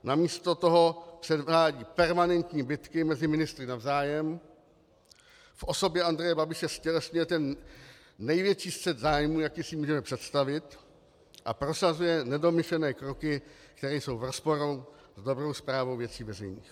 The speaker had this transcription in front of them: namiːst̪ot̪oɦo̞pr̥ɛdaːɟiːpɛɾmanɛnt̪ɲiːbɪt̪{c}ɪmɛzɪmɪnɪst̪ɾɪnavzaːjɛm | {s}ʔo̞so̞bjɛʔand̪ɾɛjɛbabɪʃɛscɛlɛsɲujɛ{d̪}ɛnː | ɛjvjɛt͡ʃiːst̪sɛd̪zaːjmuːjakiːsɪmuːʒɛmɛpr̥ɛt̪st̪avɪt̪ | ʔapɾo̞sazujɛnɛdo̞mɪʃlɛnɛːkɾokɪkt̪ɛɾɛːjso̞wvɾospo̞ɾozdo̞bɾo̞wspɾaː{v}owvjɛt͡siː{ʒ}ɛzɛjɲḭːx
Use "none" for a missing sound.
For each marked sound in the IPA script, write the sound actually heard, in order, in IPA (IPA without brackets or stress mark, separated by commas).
k, f, t̪, v, v